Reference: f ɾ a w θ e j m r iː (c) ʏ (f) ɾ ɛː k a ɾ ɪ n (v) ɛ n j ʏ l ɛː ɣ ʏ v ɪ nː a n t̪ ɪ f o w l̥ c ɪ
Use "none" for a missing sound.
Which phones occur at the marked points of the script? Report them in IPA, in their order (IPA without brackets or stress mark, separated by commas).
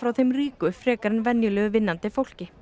k, f, v